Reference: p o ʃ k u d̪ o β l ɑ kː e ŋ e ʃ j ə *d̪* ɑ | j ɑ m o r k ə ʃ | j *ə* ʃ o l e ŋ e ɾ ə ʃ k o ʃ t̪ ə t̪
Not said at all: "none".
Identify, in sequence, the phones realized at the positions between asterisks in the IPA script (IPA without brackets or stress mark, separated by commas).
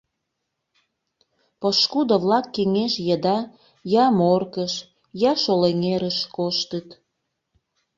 d̪, ɑ